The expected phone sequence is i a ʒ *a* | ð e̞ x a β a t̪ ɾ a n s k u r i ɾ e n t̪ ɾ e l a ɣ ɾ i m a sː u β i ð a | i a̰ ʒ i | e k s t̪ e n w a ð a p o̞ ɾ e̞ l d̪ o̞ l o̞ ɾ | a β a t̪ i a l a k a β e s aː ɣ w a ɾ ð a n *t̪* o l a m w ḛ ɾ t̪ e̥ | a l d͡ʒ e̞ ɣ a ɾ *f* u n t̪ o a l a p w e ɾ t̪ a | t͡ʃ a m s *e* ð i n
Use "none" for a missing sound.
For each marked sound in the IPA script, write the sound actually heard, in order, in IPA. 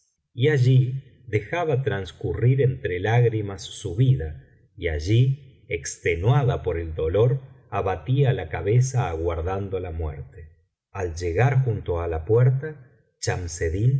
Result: i, d̪, x, e

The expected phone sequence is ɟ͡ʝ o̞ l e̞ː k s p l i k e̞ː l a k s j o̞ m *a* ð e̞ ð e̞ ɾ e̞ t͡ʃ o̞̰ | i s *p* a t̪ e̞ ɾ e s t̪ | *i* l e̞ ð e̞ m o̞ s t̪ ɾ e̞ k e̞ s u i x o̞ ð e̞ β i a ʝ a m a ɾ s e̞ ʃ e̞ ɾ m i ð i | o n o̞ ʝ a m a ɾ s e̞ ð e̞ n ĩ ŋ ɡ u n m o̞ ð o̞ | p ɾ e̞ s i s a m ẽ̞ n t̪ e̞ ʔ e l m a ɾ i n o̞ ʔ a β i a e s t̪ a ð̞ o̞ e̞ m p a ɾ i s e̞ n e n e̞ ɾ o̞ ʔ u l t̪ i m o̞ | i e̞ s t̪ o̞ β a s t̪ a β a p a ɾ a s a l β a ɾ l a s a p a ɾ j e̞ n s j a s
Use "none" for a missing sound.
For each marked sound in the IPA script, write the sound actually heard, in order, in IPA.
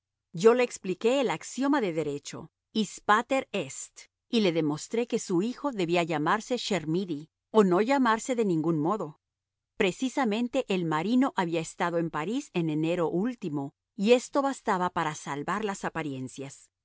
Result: a, p, i

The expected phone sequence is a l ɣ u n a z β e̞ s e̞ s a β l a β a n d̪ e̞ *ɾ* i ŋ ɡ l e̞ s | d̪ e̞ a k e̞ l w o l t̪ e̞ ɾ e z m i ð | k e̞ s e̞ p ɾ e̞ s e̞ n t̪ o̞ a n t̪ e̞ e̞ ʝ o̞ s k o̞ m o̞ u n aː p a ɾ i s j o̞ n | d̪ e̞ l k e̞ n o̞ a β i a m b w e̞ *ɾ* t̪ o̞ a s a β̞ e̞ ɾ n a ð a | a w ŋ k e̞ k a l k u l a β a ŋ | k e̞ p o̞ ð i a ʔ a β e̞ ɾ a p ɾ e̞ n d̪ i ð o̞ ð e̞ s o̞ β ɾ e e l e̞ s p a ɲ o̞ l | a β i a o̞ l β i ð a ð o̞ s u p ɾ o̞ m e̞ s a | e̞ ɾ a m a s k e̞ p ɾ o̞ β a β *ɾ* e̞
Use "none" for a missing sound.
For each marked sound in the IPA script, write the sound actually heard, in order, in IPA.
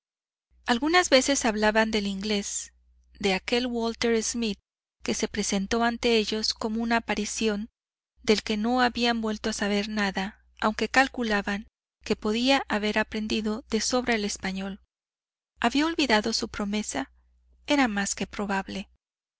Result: l, l, l

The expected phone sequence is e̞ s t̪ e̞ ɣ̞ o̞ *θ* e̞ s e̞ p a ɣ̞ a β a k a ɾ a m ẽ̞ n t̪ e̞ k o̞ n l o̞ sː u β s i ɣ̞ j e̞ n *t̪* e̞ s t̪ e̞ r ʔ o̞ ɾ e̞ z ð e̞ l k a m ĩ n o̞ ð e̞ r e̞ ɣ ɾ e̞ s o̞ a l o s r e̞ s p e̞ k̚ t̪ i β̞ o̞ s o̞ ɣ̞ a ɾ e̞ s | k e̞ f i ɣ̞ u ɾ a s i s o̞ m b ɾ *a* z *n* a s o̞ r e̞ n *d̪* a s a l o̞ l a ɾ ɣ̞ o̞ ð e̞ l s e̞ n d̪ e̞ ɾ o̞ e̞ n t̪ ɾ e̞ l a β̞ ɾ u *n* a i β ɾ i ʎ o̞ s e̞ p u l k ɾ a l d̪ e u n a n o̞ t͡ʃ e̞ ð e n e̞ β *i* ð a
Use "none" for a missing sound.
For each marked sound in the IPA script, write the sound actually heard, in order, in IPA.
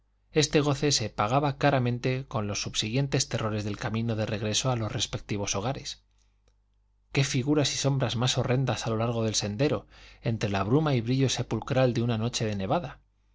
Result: θ, t̪, a, m, d̪, m, a

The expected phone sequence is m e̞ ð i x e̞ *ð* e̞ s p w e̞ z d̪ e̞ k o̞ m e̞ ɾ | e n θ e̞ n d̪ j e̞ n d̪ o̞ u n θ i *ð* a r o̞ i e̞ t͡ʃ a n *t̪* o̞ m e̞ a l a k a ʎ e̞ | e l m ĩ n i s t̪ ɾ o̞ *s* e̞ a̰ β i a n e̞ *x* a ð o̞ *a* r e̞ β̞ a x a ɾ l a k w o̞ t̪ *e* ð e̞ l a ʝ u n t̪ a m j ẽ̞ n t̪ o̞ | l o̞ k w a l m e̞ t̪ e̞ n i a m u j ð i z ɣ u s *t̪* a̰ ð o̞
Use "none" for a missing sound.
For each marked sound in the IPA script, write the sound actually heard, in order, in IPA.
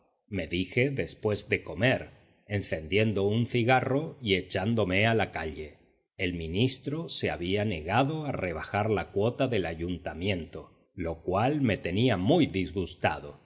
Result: ð, ɣ, d̪, s, ɣ, a, a, t̪

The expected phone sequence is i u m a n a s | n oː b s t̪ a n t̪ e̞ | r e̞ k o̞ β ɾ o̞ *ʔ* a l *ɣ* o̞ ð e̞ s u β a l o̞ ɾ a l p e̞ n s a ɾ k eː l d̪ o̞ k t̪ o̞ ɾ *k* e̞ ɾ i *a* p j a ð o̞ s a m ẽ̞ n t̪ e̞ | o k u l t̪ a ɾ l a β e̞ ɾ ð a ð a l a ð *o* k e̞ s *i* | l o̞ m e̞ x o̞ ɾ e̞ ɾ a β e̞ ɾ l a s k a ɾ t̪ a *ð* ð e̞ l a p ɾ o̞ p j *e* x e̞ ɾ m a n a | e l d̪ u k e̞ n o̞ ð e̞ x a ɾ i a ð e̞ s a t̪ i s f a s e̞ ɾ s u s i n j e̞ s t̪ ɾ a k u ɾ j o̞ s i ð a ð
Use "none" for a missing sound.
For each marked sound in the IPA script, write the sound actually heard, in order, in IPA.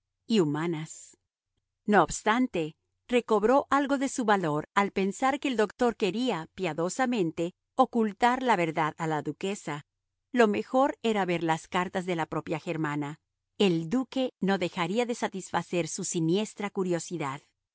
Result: ʔ, ɣ, k, a, u, a, z, a

